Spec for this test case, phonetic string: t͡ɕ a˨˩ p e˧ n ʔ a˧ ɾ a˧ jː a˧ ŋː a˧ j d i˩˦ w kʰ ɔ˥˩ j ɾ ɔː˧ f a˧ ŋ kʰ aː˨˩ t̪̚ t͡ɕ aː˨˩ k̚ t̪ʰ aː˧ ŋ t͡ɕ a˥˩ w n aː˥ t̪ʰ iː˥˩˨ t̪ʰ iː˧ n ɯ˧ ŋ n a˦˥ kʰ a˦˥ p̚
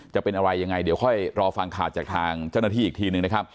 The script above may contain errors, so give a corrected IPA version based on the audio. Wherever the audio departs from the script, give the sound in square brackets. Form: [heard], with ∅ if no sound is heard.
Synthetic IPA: t͡ɕ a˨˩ p e˧ n ʔ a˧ ɾ a˧ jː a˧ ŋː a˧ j d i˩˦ w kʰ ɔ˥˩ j ɾ ɔː˧ f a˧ ŋ kʰ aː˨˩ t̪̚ t͡ɕ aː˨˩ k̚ t̪ʰ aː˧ ŋ t͡ɕ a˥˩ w n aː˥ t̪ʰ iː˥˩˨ t̪ʰ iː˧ n [ɯ˨˩] ŋ n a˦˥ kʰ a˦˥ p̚